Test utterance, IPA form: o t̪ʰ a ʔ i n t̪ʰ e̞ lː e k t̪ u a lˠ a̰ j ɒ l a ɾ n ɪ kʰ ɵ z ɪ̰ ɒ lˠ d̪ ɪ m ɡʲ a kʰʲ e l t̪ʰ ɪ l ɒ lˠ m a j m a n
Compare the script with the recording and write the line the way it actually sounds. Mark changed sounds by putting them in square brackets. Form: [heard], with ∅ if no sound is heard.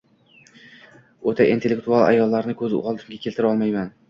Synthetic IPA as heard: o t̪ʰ a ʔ i n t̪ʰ e̞ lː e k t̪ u a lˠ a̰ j ɒ [lː] a ɾ n ɪ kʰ ɵ z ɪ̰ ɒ lˠ d̪ ɪ m ɡʲ a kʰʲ e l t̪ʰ ɪ [ɾ] ɒ lˠ m a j m a n